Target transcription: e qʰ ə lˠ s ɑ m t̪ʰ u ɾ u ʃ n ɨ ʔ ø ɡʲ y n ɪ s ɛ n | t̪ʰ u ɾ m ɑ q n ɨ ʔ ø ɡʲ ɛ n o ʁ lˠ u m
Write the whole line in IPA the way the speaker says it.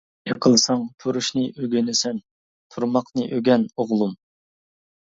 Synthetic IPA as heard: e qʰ ə lˠ s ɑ ŋ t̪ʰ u ɾ u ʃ n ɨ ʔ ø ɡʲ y n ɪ s ɛ n | t̪ʰ u ɾ m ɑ q n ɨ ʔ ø ɡʲ ɛ n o ʁ lˠ u m

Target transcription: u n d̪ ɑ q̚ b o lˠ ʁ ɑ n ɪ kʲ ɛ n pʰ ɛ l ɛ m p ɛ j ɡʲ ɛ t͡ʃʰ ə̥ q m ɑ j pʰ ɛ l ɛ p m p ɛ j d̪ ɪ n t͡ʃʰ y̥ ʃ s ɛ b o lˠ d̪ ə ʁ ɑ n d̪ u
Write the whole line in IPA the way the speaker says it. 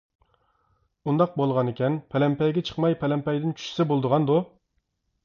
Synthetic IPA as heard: u n d̪ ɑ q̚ b o lˠ ʁ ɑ n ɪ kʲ ɛ n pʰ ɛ l ɛ m p ɛ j ɡʲ ɛ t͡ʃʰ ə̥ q m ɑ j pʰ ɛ l ɛ m p ɛ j d̪ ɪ n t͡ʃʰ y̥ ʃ s ɛ b o lˠ d̪ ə ʁ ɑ n d̪ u

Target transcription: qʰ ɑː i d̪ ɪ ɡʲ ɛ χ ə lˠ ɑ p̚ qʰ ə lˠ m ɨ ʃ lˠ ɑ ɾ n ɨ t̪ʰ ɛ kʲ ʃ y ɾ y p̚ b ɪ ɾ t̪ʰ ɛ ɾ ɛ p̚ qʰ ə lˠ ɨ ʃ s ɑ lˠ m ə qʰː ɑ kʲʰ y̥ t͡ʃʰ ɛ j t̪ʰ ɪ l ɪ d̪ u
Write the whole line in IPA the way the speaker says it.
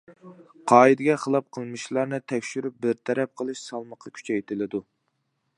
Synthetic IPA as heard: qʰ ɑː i d̪ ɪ ɡʲ ɛ χ ə lˠ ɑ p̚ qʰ ə lˠ m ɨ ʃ lˠ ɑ ɾ n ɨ t̪ʰ ɛ kʲ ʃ y ɾ y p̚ b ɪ ɾ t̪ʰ ɛ ɾ ɛ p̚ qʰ ə lˠ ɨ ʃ s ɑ lˠ m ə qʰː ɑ kʲʰ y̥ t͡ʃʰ ɛ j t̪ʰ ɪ l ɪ d̪ u

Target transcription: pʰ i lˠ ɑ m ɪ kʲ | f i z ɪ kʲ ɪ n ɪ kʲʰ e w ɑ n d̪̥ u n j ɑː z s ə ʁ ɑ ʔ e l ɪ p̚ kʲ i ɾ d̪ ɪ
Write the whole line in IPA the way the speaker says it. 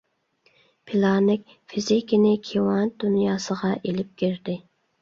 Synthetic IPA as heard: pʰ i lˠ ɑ n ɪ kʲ | f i z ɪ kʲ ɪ n ɪ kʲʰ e w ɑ n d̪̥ u n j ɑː s ə ʁ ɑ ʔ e l ɪ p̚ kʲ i ɾ d̪ ɪ

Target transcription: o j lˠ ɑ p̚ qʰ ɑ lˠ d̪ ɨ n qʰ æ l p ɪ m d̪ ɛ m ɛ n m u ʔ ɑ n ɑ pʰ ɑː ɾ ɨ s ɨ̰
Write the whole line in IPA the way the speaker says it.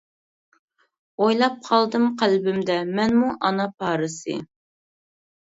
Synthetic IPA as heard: o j lˠ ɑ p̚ qʰ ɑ lˠ d̪ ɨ m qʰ æ l b ɪ m d̪ ɛ m ɛ n m u ʔ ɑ n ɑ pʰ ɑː ɾ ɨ s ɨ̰

